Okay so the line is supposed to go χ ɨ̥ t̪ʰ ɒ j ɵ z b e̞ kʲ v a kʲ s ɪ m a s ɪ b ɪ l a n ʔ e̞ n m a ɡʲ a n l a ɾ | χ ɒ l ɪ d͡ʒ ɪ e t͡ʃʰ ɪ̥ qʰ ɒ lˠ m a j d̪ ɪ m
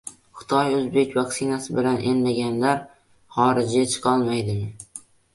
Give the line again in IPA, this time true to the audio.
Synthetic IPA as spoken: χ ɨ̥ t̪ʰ ɒ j ɵ z b e̞ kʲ v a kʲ s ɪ n a s ɪ b ɪ l a n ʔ e̞ n m a ɡʲ a n l a ɾ | χ ɒ ɾ ɪ d͡ʒ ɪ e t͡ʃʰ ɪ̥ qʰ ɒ lˠ m a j d̪ ɪ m